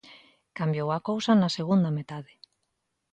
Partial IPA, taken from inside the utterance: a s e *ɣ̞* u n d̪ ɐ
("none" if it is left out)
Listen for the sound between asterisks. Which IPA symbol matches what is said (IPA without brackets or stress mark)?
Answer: ɣ̞